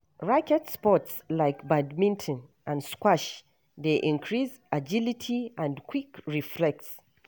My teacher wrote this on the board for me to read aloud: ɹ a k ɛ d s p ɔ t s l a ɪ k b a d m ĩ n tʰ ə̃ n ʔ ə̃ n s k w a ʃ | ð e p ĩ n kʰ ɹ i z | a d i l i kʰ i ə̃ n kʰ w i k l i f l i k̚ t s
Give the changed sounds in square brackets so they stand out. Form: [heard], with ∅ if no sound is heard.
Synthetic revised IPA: ɹ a k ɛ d s p ɔ t s l a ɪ k b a d m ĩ n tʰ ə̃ n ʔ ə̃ n s k w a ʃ | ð e [ʔ] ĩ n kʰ ɹ i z | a [d͡ʒ] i l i [tʰ] i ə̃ n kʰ w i k [ɹ] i f l [ɛ] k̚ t s